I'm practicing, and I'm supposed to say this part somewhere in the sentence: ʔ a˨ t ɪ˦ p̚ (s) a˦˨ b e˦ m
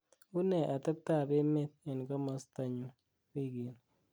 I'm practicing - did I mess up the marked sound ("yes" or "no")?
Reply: yes